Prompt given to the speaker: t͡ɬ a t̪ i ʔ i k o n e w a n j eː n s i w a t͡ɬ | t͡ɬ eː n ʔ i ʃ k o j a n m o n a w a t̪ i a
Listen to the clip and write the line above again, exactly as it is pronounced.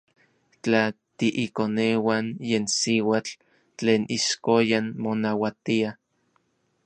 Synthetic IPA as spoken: t͡ɬ a t̪ i ʔ i k o n e w a n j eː n s i w a t͡ɬ | t͡ɬ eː n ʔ i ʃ k o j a n m o n a w a t̪ i a

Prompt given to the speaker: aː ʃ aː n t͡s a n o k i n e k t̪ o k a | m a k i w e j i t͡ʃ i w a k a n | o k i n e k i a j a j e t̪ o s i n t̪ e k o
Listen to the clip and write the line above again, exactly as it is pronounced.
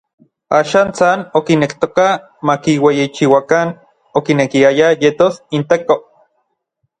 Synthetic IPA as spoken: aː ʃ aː n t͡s a n o k i n e k t̪ o k a | m a k i w e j i t͡ʃ i w a k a n | o k i n e k i a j a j e t̪ o s i n t̪ e k o

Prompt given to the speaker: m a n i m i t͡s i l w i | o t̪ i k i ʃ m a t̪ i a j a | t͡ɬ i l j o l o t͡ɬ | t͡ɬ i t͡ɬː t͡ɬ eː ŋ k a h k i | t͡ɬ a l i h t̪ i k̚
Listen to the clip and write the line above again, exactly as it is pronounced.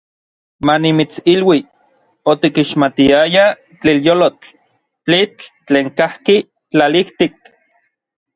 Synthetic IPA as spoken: m a n i m i t͡s i l w i | o t̪ i k i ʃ m a t̪ i a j a | t͡ɬ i l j o l o t͡ɬ | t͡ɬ i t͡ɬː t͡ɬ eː ŋ k a h k i | t͡ɬ a l i h t̪ i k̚

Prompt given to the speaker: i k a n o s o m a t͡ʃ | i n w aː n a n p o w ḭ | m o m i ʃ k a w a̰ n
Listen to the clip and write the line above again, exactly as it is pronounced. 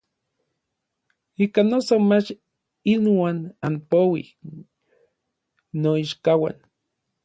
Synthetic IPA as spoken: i k a n o s o m a t͡ʃ | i n w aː n a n p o w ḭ | n o i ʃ k a w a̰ n

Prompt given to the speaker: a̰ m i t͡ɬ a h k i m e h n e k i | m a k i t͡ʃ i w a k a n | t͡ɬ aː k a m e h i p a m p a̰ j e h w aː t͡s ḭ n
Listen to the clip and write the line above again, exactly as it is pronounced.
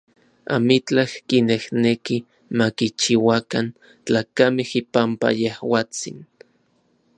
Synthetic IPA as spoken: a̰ m i t͡ɬ a h k i n e h n e k i | m a k i t͡ʃ i w a k a n | t͡ɬ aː k a m e h i p a m p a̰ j e h w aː t͡s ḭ n

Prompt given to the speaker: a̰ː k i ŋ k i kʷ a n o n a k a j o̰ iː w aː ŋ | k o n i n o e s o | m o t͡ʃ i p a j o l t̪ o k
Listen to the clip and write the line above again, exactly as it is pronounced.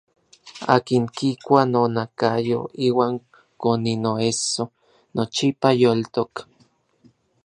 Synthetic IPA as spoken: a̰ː k i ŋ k i kʷ a n o n a k a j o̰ iː w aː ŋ | k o n i n o e s o | n o t͡ʃ i p a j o l t̪ o k

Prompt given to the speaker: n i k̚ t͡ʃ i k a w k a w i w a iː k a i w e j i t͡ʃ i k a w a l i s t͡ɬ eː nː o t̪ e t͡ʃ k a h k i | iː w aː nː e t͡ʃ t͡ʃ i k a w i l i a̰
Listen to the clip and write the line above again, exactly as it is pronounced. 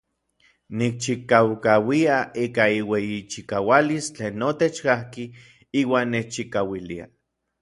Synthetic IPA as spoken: n i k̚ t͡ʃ i k a w k a w i a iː k a i w e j i t͡ʃ i k a w a l i s t͡ɬ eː nː o t̪ e t͡ʃ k a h k i | iː w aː nː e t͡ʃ t͡ʃ i k a w i l i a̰

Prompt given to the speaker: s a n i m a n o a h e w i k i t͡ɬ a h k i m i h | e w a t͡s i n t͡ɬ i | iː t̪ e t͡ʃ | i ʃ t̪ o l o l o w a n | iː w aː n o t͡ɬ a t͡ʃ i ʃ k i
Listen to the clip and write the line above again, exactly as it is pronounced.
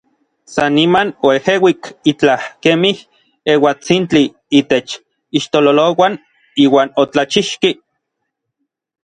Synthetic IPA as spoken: s a n i m a n o e h e w i k i t͡ɬ a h k e m i h | e w a t͡s i n t͡ɬ i | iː t̪ e t͡ʃ | i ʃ t̪ o l o l o w a n | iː w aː n o t͡ɬ a t͡ʃ i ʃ k i

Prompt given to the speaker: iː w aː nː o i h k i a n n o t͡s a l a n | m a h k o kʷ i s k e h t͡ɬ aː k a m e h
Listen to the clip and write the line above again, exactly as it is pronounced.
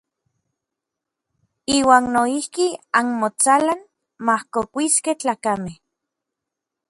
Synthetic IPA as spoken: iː w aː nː o i h k i a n m o t͡s a l a n | m a h k o kʷ i s k e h t͡ɬ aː k a m e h

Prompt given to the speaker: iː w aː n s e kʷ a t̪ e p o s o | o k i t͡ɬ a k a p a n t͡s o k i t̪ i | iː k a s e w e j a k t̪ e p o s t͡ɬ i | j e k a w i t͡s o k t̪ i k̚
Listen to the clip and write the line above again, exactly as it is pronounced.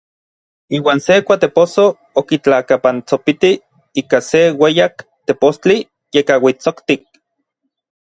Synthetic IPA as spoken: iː w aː n s e kʷ a t̪ e p o s o | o k i t͡ɬ a k a p a n t͡s o p i t̪ i | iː k a s e w e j a k t̪ e p o s t͡ɬ i | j e k a w i t͡s o k t̪ i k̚

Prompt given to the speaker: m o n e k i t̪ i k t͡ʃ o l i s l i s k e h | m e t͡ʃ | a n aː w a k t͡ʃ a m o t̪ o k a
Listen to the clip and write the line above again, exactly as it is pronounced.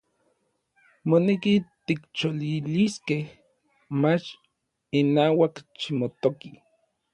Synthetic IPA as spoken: m o n e k i t̪ i k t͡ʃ o l i l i s k e h | m a t͡ʃ | i n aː w a k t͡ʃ i m o t̪ o k i

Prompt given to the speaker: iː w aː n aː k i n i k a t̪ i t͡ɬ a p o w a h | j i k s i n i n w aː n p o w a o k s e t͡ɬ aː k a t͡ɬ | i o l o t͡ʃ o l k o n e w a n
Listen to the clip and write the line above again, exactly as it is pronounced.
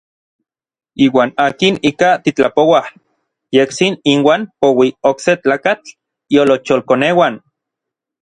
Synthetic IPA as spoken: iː w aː n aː k i n i k a t̪ i t͡ɬ a p o w a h | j e k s i n i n w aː n p o w i o k s e t͡ɬ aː k a t͡ɬ | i o l o t͡ʃ o l k o n e w a n

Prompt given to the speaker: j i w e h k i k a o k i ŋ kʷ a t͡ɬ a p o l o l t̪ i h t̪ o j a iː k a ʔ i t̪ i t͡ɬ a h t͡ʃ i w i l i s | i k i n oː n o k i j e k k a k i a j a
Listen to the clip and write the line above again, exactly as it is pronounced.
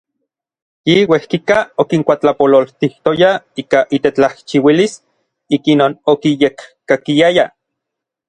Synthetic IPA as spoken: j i w e h k i k a o k i ŋ kʷ a t͡ɬ a p o l o l t̪ i h t̪ o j a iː k a ʔ i t̪ e t͡ɬ a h t͡ʃ i w i l i s | i k i n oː n o k i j e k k a k i a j a

